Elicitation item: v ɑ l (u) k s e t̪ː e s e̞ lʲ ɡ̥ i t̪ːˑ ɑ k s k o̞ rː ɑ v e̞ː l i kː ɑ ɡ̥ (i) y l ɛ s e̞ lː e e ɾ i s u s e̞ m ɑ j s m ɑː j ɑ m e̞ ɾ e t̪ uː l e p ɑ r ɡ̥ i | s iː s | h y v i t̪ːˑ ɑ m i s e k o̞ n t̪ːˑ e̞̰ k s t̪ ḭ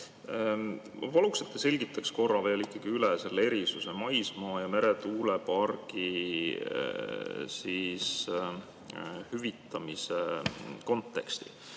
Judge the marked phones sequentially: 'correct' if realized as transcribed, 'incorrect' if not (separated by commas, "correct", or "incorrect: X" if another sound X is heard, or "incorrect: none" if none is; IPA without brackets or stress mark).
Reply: correct, correct